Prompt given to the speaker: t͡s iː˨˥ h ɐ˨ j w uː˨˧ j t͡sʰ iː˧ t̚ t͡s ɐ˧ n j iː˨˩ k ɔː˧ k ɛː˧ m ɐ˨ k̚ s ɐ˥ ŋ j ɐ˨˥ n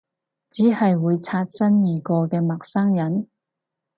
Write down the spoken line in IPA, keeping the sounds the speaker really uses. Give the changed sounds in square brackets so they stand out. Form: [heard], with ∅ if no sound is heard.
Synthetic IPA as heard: t͡s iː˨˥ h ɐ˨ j w uː˨˧ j t͡sʰ [aː˧] t̚ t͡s [ɐ˥] n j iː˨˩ k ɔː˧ k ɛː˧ m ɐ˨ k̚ s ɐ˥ ŋ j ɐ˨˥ n